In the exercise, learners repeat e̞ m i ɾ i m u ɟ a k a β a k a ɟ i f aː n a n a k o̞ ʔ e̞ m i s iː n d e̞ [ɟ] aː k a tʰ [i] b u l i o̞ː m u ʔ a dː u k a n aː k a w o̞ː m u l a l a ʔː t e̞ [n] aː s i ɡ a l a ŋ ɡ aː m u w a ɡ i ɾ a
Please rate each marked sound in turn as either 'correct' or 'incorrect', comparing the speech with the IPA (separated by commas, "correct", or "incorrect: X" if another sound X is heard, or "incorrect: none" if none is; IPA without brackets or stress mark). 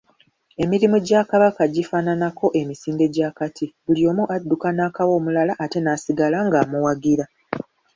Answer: correct, correct, correct